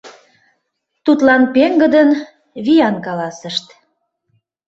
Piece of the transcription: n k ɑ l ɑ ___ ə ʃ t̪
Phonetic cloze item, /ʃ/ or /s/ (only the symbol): s